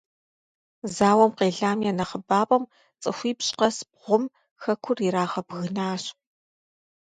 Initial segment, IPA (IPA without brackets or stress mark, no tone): z